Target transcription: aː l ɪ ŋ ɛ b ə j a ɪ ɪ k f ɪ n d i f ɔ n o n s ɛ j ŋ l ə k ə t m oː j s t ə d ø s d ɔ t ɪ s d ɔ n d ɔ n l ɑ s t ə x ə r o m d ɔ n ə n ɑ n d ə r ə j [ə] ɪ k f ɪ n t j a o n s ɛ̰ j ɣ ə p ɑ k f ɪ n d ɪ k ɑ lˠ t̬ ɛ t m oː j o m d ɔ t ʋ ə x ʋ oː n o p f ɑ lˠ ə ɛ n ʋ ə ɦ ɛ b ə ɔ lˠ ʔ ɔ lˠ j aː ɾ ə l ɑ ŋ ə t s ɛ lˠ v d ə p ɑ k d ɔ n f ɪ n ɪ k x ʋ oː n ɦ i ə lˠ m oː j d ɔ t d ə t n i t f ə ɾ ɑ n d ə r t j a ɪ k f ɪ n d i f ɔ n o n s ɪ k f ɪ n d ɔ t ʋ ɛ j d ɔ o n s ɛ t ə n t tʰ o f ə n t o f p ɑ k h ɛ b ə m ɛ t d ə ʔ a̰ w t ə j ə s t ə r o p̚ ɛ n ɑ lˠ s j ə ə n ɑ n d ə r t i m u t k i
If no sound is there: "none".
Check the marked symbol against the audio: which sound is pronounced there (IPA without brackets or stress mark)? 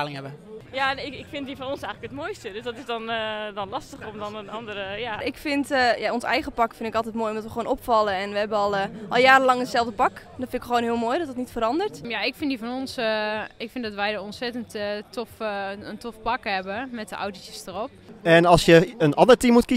a